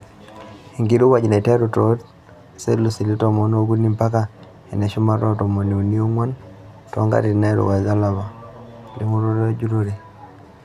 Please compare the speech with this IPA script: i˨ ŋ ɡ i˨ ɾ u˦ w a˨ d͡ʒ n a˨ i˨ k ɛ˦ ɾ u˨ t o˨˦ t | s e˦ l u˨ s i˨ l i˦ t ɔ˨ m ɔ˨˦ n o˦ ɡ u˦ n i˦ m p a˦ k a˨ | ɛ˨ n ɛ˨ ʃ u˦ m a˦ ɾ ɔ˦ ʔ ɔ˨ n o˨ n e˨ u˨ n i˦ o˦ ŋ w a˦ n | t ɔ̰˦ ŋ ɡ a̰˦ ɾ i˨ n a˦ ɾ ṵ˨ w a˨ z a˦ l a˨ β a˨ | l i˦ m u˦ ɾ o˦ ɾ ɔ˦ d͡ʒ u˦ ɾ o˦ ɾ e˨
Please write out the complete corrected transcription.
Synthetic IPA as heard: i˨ ŋ ɡ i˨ ɾ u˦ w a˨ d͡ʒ n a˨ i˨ t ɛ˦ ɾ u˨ t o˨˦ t | s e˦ l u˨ s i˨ l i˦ t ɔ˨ m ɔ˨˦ n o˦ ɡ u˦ n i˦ m p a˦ k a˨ | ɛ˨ n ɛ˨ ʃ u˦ m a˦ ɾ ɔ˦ t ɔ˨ m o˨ n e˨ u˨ n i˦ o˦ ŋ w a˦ n | t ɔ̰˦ ŋ ɡ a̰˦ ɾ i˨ n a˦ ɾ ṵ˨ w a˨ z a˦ l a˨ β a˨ | l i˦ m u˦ ɾ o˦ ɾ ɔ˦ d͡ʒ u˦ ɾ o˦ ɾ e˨